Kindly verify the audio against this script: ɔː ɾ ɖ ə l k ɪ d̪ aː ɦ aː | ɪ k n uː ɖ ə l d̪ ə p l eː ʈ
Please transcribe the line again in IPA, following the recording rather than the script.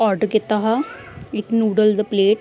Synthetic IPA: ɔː ɾ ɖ ə ɾ k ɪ t̪ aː ɦ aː | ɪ k n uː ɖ ə l d̪ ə p l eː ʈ